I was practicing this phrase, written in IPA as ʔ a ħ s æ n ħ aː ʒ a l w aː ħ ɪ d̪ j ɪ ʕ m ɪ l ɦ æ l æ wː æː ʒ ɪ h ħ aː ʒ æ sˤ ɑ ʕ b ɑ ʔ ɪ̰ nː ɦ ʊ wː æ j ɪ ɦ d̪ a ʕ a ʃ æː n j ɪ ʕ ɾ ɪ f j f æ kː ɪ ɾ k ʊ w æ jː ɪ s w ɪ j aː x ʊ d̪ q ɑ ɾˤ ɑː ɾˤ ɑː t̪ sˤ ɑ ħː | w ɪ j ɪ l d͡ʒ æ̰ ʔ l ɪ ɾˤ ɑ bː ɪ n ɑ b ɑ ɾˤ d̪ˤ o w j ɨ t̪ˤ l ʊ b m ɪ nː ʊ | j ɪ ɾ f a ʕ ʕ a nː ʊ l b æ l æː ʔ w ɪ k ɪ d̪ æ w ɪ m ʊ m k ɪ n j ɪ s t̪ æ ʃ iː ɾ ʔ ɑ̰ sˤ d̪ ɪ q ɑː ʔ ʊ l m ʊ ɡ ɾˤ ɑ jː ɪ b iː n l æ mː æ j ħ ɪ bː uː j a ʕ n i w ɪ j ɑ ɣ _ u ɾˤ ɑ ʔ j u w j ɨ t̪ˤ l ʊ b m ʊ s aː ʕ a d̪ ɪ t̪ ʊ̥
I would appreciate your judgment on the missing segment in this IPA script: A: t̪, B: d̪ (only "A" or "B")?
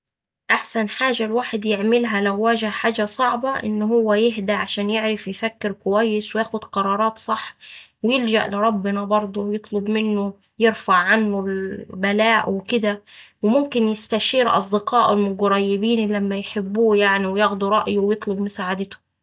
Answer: B